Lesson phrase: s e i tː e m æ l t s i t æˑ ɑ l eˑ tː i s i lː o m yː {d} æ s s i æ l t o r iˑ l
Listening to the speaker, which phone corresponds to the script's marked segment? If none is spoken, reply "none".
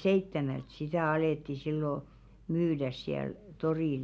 d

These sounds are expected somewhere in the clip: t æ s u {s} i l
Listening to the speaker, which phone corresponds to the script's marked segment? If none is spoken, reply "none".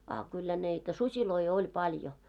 s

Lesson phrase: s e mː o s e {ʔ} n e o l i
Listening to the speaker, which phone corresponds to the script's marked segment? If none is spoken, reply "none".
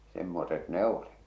t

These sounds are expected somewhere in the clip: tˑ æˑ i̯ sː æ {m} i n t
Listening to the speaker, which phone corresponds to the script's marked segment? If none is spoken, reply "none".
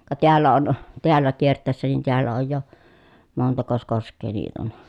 n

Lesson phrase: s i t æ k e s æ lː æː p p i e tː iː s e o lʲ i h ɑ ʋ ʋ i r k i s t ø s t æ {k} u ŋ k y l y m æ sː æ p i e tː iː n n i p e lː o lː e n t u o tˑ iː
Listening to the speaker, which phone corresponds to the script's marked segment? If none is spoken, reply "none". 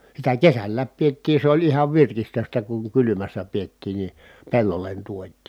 k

